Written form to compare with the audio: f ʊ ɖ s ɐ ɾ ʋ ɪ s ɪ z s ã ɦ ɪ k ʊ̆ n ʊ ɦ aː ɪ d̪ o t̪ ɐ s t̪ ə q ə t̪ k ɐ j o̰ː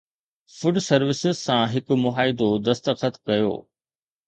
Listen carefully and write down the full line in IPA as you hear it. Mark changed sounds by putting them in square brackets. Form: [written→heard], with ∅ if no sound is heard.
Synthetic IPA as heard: f ʊ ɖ s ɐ ɾ ʋ ɪ s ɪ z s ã ɦ ɪ k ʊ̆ [n→m] ʊ ɦ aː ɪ d̪ o [t̪→d̪] ɐ s t̪ ə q ə t̪ k ɐ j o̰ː